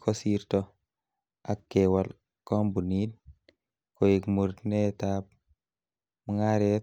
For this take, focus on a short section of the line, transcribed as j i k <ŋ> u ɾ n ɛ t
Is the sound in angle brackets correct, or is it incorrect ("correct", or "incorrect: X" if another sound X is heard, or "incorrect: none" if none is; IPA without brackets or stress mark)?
incorrect: m